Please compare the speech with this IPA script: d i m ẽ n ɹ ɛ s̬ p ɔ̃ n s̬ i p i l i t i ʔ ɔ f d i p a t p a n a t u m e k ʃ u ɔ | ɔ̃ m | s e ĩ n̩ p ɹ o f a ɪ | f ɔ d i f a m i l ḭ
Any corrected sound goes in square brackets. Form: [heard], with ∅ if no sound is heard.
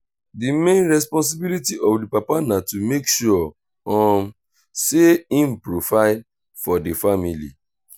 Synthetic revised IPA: d i m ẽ n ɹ ɛ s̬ p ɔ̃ n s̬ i [b] i l i t i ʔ ɔ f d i p a [∅] p a n a t u m e k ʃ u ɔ | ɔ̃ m | s e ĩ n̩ p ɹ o f a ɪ | f ɔ d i f a m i l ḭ